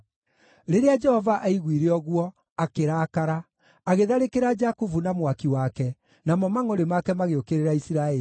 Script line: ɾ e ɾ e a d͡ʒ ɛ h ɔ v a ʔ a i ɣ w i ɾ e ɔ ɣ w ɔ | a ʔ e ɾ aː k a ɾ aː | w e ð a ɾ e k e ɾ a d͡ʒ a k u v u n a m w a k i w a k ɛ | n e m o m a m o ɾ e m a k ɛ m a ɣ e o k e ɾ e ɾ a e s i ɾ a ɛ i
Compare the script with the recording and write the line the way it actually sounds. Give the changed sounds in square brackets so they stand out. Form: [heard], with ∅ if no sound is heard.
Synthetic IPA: ɾ e ɾ e a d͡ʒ ɛ h ɔ v a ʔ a i ɣ w i ɾ e ɔ ɣ w ɔ | a [k] e ɾ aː k a ɾ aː | [ɣ] e ð a ɾ e k e ɾ a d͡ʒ a k u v u n a m w a k i w a k ɛ | n [a] m [ɔ] m a [ŋ] o ɾ e m a k ɛ m a ɣ e o k e ɾ e ɾ a [i] s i ɾ a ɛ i